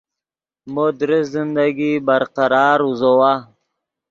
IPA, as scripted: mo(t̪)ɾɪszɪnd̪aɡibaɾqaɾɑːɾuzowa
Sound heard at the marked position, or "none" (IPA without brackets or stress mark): d̪